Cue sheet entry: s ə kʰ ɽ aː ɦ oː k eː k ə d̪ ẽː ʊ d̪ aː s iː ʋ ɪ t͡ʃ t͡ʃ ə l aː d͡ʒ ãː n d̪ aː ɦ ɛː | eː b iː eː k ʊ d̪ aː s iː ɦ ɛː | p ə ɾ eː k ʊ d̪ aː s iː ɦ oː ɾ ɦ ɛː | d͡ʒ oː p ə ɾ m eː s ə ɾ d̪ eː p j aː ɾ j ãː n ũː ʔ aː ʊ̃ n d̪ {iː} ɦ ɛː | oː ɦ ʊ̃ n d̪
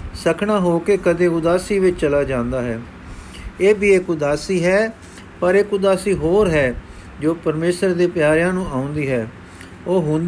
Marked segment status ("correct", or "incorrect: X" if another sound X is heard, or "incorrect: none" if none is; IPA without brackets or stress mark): correct